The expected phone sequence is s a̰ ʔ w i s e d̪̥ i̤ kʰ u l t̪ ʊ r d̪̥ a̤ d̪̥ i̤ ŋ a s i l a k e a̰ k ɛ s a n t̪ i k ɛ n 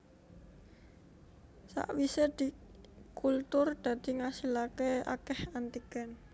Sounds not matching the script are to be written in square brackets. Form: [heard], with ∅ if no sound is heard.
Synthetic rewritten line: s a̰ ʔ w i s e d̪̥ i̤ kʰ u l t̪ ʊ r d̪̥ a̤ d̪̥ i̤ ŋ a s i l a k e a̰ k ɛ [h] a n t̪ i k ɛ n